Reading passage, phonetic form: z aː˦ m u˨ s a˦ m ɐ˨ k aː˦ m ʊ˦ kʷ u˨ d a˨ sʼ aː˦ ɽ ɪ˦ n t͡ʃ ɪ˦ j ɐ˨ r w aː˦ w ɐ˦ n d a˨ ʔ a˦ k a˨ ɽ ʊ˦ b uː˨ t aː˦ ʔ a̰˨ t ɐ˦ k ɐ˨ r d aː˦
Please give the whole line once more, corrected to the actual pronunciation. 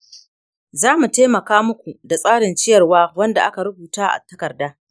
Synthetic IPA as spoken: z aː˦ m u˨ t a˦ m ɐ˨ k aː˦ m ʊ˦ kʷ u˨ d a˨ sʼ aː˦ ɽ ɪ˨ n t͡ʃ ɪ˦ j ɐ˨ r w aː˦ w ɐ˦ n d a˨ ʔ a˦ k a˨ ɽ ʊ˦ b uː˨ t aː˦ ʔ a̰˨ t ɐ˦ k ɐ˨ r d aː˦

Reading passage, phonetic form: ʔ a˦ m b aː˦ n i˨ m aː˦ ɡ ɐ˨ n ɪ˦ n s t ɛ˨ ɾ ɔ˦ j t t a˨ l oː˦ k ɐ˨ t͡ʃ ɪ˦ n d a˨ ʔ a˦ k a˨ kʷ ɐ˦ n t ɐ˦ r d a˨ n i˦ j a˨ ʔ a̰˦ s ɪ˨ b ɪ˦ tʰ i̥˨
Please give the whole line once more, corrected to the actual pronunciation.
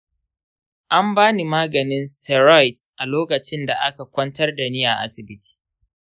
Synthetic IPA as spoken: ʔ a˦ m b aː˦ n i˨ m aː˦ ɡ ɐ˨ n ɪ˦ n s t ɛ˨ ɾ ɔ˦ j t ʔ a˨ l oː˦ k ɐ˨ t͡ʃ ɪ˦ n d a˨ ʔ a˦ k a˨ kʷ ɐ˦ n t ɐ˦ r d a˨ n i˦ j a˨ ʔ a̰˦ s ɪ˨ b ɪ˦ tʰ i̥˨

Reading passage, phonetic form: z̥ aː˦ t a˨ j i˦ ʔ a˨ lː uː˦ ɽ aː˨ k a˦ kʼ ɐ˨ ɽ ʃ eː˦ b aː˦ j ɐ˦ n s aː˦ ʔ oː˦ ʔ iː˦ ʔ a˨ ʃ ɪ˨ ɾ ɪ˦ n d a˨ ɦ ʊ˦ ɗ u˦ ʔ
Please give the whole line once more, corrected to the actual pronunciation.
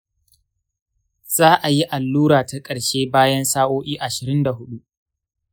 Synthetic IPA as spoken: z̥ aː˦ ʔ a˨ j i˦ ʔ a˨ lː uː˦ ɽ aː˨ t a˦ kʼ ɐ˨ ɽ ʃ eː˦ b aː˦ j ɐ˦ n s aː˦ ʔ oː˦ ʔ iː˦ ʔ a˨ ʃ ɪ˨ ɾ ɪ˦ n d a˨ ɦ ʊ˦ ɗ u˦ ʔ

